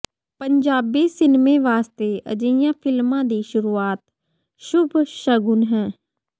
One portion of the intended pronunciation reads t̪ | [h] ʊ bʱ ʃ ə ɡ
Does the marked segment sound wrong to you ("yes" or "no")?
yes